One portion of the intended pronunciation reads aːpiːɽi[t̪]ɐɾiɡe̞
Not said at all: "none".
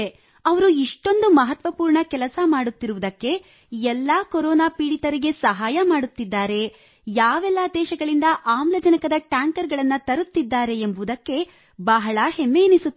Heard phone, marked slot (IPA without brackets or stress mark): t̪